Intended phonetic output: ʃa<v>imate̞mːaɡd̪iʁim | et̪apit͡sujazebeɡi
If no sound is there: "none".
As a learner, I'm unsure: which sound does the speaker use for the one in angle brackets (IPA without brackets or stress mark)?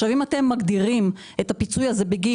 v